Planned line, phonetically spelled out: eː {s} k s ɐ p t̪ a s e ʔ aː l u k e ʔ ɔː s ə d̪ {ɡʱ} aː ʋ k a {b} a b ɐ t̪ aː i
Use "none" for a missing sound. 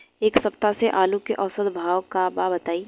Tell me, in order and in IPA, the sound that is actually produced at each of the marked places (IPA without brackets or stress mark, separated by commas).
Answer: none, bʱ, b